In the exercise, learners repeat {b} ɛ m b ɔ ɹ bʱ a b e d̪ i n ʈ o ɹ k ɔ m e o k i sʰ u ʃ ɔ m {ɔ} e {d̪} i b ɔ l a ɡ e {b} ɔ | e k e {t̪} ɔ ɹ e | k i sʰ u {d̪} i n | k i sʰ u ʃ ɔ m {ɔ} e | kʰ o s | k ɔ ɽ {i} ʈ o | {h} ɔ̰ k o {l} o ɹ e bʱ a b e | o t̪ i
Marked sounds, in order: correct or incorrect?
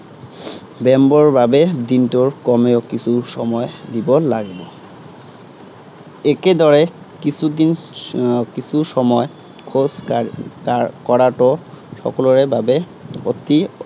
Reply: correct, correct, correct, correct, incorrect: d̪, correct, correct, incorrect: a, incorrect: ʃ, correct

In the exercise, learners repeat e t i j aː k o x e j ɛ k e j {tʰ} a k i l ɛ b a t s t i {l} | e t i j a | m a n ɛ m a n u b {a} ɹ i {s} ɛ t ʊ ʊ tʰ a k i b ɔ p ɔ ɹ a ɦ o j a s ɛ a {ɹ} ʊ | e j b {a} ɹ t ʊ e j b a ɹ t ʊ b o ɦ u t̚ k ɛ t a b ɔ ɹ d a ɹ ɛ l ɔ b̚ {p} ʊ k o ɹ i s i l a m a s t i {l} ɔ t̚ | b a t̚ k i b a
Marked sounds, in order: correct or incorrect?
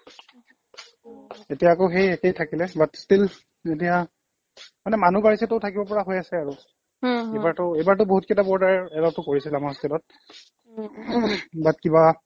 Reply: correct, correct, correct, correct, correct, correct, incorrect: t, correct

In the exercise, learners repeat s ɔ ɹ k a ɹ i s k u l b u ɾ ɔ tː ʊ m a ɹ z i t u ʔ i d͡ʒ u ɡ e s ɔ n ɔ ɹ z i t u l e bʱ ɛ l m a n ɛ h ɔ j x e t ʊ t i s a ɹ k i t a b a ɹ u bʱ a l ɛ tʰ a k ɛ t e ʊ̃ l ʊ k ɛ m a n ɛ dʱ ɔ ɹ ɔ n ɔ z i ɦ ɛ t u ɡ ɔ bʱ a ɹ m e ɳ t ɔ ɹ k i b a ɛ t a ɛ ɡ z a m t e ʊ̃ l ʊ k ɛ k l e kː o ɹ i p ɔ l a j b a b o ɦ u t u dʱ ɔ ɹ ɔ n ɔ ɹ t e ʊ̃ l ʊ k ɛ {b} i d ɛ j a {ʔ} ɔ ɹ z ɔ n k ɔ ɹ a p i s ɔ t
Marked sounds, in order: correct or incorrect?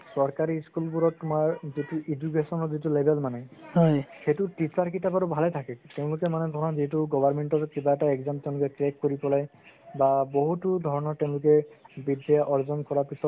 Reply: correct, correct

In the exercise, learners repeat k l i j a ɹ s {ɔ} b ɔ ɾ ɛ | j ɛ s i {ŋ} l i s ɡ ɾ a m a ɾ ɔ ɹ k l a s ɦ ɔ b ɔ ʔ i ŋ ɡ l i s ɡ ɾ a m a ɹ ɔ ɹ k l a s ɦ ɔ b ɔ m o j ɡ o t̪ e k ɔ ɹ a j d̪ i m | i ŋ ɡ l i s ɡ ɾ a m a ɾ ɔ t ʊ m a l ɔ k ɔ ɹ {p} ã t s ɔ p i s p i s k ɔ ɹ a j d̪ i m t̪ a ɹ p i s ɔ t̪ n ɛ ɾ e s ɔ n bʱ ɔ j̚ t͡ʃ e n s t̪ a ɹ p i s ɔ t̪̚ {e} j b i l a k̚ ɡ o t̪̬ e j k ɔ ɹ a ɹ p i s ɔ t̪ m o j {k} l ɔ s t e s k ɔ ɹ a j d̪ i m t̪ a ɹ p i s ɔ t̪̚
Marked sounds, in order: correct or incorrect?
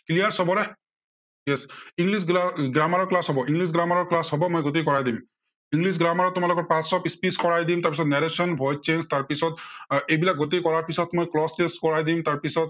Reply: correct, correct, correct, correct, correct

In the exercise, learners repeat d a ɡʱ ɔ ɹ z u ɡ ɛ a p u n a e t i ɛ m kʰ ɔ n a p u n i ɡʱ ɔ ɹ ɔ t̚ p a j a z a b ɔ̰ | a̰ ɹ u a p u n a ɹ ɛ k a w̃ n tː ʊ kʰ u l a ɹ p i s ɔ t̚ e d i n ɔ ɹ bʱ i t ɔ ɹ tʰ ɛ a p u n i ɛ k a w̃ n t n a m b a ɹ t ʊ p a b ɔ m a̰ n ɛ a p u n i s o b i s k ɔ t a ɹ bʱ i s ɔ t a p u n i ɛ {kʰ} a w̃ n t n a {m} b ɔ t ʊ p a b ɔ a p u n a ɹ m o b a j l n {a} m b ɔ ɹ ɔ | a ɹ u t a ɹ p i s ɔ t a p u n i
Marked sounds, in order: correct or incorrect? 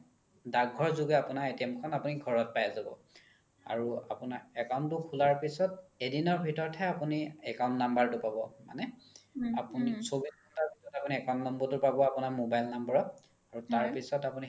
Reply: incorrect: k, correct, correct

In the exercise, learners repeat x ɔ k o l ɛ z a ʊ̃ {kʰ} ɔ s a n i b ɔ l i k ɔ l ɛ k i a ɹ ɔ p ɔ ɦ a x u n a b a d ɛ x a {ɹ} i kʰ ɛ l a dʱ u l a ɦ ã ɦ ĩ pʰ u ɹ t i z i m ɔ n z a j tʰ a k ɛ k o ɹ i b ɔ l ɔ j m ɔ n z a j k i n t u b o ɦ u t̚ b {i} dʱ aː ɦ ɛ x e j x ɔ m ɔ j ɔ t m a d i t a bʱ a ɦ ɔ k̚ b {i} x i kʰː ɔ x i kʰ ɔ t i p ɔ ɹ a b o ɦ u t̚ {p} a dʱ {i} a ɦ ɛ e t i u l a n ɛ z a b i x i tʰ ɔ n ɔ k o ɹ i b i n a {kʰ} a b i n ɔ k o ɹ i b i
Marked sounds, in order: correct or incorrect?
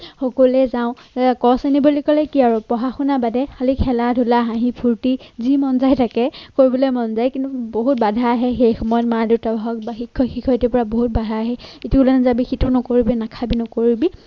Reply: incorrect: k, incorrect: l, incorrect: a, incorrect: a, incorrect: b, incorrect: a, correct

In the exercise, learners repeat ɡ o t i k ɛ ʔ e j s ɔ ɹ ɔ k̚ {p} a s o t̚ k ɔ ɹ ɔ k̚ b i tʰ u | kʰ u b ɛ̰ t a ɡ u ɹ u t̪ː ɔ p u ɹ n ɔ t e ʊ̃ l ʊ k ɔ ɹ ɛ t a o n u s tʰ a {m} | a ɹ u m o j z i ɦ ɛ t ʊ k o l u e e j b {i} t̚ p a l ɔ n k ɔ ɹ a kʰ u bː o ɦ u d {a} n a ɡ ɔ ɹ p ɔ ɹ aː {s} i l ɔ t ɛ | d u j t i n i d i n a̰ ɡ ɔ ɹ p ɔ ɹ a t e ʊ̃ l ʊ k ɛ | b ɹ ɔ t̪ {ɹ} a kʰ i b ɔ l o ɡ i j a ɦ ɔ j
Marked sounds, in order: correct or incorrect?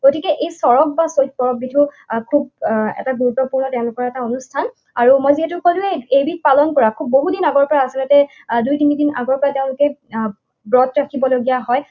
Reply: incorrect: b, incorrect: n, correct, incorrect: i, correct, correct

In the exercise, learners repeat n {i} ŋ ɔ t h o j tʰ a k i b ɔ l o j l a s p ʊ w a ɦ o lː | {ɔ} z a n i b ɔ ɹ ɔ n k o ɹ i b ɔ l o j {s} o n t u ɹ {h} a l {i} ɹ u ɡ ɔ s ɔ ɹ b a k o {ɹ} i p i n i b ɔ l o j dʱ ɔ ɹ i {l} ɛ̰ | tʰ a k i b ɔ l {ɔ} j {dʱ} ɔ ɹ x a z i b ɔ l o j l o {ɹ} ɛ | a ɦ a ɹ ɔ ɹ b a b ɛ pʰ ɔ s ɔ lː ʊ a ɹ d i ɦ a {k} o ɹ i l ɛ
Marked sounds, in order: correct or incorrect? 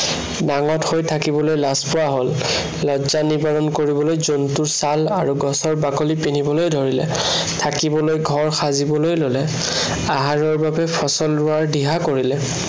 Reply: incorrect: a, correct, incorrect: z, incorrect: s, incorrect: a, incorrect: l, correct, incorrect: o, incorrect: ɡʱ, incorrect: l, correct

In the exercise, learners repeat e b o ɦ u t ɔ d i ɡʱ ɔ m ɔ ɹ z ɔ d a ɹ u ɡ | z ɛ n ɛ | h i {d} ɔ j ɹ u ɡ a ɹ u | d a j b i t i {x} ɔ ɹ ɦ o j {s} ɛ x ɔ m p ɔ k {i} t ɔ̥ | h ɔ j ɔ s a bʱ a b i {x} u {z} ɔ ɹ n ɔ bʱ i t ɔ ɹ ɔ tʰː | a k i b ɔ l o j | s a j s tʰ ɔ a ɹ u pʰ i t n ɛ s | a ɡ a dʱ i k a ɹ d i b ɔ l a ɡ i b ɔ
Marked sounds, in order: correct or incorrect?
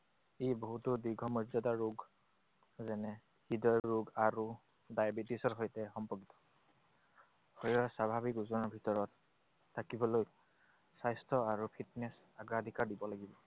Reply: correct, incorrect: s, incorrect: t, correct, incorrect: k, correct

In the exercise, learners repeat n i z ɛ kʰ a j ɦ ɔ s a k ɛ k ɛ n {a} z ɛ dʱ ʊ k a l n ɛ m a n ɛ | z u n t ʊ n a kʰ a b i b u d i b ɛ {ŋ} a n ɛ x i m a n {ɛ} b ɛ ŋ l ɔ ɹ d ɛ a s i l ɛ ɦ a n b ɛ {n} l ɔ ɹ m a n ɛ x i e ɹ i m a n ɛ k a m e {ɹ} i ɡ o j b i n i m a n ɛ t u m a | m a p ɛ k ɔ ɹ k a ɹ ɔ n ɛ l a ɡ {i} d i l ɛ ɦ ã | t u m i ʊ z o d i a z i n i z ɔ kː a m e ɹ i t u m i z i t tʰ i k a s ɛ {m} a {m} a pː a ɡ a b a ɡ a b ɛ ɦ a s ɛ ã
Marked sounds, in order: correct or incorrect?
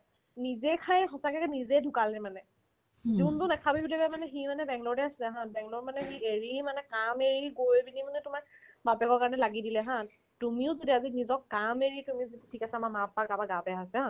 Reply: incorrect: i, incorrect: m, correct, incorrect: ŋ, correct, correct, correct, correct

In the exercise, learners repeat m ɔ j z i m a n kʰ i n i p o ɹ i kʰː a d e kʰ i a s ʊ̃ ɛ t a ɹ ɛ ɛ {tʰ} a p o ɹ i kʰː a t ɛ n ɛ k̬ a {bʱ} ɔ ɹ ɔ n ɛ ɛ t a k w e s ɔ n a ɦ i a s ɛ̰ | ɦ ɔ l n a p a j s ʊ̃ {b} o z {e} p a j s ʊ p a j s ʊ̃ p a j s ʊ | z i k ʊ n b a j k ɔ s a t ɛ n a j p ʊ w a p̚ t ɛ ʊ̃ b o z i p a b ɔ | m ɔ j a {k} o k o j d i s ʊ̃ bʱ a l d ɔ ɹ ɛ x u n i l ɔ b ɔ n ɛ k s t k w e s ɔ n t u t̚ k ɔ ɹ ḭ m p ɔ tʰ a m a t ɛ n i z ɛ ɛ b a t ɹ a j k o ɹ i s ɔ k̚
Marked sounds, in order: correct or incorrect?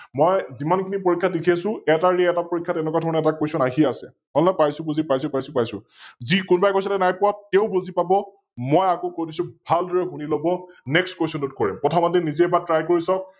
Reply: incorrect: t, incorrect: dʱ, correct, incorrect: i, correct

